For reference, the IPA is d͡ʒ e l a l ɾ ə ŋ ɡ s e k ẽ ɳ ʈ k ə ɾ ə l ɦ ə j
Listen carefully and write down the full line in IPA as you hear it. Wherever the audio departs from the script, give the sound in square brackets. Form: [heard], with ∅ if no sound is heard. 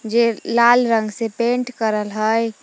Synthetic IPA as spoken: d͡ʒ e l a l ɾ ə ŋ ɡ s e [p] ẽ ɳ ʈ k ə ɾ ə l ɦ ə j